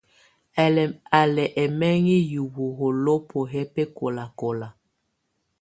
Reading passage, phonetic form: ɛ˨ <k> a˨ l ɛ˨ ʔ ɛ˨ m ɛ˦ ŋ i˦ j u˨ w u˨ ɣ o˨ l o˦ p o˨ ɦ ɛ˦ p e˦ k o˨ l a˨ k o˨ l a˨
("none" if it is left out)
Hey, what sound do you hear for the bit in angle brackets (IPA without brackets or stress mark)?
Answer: none